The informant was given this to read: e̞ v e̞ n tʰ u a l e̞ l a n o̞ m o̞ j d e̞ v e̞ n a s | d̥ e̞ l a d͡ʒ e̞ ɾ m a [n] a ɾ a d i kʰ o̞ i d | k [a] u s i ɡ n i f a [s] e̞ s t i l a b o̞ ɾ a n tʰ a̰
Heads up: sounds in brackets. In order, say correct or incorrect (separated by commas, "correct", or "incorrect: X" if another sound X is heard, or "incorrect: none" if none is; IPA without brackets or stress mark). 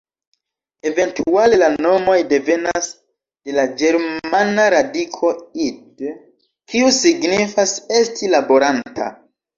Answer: correct, incorrect: i, correct